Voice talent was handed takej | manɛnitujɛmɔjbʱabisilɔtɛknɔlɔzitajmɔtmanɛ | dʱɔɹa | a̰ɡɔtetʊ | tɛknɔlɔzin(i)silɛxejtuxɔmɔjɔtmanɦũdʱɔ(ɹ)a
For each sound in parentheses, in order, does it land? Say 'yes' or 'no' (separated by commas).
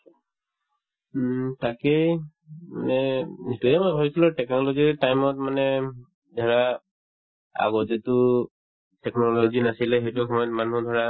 no, yes